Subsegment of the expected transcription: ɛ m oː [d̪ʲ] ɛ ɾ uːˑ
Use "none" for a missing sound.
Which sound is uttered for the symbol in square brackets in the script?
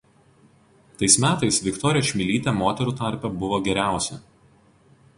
t̪ʲ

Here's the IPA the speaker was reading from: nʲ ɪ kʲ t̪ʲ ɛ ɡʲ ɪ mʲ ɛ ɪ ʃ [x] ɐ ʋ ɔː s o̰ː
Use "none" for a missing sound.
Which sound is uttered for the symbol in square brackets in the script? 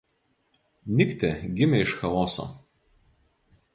x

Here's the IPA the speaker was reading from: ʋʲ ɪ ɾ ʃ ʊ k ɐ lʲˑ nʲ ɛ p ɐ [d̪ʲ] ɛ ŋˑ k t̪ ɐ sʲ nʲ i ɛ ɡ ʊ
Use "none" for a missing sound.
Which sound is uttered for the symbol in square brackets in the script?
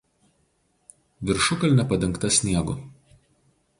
d̪ʲ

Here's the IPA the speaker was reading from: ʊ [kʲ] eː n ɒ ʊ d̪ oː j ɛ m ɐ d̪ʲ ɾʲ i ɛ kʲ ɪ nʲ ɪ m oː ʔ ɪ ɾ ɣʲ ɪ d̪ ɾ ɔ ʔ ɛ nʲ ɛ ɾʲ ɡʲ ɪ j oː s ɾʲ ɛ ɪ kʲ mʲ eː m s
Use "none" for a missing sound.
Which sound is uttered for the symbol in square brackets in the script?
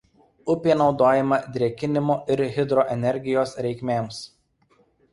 pʲ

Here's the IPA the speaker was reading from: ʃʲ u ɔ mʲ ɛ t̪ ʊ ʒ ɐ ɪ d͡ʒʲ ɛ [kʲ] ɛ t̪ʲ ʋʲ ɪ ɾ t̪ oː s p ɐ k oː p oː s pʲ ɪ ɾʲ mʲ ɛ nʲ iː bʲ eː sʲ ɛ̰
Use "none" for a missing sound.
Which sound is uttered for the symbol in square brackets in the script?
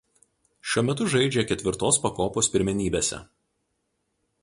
kʲ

